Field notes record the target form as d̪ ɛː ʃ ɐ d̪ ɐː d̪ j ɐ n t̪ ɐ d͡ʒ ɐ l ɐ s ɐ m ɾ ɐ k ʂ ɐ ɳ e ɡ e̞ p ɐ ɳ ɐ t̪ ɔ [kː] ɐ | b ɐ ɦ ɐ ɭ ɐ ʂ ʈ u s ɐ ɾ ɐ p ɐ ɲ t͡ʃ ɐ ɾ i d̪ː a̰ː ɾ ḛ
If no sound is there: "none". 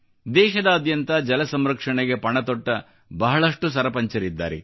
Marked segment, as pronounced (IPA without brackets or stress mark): ʈː